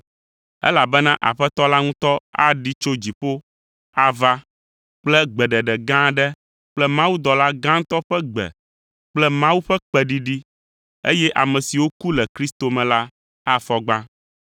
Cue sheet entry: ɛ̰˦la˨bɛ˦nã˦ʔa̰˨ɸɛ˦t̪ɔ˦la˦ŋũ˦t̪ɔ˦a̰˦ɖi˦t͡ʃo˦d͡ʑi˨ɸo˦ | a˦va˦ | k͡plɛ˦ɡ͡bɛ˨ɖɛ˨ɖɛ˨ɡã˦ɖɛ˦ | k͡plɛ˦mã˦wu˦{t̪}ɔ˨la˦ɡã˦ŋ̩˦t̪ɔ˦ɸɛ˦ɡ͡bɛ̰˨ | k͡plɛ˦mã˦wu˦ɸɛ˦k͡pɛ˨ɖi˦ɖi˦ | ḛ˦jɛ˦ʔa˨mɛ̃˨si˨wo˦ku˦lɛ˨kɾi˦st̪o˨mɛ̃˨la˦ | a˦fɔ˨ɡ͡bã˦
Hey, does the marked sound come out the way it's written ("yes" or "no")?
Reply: no